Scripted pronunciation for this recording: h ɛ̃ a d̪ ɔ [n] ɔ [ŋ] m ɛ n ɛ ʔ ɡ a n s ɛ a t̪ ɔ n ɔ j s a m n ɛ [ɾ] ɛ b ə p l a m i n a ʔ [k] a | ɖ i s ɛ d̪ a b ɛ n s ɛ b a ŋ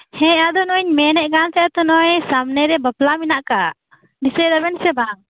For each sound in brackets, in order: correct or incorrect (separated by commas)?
correct, incorrect, correct, correct